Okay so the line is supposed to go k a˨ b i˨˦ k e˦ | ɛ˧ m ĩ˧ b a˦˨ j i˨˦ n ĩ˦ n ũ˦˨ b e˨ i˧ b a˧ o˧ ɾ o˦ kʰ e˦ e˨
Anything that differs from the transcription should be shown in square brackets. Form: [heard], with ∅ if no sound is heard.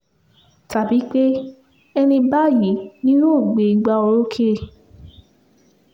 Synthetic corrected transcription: [t] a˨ b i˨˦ [k͡p] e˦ | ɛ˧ [n] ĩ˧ b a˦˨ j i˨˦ n ĩ˦ n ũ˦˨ [ɡ͡b] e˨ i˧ [ɡ͡b] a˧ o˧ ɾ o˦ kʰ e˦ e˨